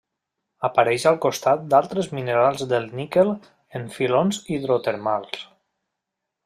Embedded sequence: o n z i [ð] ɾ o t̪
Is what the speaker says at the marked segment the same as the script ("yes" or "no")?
yes